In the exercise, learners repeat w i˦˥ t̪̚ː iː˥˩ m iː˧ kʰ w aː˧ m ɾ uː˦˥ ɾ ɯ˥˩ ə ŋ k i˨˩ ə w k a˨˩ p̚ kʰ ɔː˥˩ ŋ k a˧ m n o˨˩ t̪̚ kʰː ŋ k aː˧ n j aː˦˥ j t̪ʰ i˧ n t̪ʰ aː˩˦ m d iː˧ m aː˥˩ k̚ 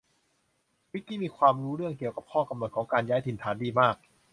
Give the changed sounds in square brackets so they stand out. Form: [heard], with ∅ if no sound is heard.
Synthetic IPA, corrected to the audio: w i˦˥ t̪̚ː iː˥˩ m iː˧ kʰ w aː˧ m ɾ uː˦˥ ɾ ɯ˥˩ ə ŋ k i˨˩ ə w k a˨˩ p̚ kʰ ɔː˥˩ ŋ k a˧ m n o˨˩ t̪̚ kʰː ŋ k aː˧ n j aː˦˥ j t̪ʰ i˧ n t̪ʰ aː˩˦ [n] d iː˧ m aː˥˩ k̚